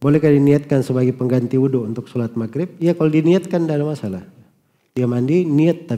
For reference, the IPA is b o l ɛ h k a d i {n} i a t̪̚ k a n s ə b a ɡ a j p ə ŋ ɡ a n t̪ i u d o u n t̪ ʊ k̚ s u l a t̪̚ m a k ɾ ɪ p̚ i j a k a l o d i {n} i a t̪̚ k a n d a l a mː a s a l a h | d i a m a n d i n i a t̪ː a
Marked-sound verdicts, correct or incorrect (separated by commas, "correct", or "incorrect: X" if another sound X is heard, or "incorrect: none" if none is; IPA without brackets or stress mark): correct, correct